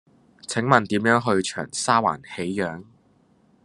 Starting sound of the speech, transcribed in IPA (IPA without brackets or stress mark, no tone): t͡sʰ